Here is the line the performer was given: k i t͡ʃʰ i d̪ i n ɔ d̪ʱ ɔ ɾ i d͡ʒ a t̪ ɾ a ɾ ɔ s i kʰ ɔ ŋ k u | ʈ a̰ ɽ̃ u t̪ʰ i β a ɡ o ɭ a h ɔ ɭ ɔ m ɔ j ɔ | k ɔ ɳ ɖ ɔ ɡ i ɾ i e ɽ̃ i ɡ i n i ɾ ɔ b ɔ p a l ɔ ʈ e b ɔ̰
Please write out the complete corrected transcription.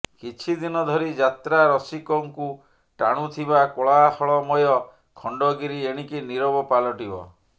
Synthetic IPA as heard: k i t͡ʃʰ i d̪ i n ɔ d̪ʱ ɔ ɾ i d͡ʒ a t̪ ɾ a ɾ ɔ s i k ɔ ŋ k u | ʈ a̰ ɽ̃ u t̪ʰ i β a k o ɭ a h ɔ ɭ ɔ m ɔ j ɔ | kʰ ɔ ɳ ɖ ɔ ɡ i ɾ i e ɽ̃ i k i n i ɾ ɔ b ɔ p a l ɔ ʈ i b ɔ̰